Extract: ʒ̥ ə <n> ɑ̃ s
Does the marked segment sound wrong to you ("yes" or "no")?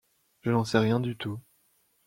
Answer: no